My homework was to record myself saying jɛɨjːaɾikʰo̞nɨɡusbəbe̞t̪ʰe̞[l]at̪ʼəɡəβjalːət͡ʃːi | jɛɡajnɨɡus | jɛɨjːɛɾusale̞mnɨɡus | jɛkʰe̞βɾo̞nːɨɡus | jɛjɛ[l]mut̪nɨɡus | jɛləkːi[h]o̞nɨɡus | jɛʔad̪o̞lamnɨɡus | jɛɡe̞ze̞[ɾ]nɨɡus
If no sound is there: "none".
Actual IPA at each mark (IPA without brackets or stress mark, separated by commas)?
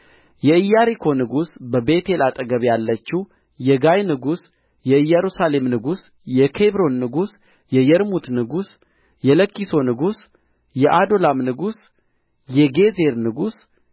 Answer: l, ɾ, s, ɾ